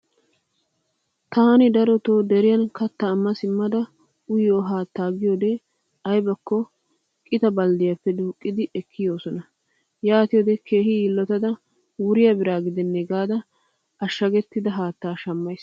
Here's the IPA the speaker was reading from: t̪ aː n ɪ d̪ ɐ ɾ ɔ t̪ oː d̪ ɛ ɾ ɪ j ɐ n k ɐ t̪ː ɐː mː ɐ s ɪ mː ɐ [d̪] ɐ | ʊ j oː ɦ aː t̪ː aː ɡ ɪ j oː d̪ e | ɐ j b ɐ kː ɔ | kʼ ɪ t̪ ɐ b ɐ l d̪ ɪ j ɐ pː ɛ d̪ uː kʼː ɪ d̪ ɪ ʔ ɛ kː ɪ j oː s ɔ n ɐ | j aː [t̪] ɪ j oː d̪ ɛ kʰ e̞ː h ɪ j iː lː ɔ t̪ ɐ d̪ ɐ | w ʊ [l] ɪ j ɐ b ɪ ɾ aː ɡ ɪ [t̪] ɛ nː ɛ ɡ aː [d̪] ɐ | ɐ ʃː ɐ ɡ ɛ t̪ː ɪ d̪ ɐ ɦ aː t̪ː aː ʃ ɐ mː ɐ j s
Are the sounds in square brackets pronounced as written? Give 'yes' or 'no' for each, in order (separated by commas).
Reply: yes, yes, no, no, yes